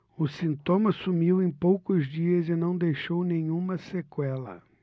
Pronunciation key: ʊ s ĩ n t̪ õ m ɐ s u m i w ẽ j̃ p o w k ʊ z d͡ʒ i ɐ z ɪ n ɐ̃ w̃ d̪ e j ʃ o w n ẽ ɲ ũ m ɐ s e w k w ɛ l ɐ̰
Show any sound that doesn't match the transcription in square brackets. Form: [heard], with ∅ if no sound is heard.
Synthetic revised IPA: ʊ s ĩ n t̪ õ m ɐ s u m i w ẽ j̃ p o w k ʊ z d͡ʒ i ɐ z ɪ n ɐ̃ w̃ d̪ e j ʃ o w n ẽ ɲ ũ m ɐ s e [∅] k w ɛ l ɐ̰